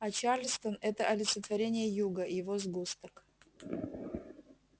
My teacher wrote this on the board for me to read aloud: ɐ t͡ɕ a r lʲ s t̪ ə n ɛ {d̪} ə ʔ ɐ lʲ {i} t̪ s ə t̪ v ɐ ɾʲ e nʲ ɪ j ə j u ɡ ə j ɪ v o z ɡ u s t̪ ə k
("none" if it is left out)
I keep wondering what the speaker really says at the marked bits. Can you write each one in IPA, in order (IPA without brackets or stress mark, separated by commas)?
t̪, ɪ